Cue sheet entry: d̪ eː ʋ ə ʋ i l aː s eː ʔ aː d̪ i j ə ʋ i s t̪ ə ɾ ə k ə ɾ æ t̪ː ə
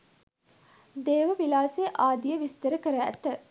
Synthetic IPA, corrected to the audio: d̪ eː ʋ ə ʋ i l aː s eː ʔ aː d̪ i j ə ʋ i s t̪ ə ɾ ə k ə ɾ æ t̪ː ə